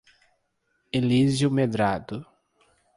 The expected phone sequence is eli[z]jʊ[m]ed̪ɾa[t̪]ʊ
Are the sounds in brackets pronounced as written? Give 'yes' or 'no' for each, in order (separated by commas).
yes, yes, no